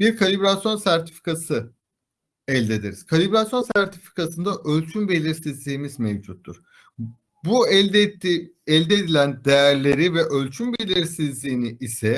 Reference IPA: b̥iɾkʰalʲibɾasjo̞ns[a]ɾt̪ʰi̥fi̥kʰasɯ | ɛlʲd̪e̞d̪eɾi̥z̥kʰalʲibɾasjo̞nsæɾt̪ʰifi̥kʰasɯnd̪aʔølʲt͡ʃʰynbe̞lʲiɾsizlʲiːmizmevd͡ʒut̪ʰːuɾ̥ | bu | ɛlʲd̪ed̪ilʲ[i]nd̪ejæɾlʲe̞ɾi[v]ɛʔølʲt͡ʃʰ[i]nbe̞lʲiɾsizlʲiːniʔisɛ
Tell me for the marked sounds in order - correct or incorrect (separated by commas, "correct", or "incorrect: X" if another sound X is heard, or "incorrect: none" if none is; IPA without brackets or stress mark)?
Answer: incorrect: æ, incorrect: æ, correct, incorrect: y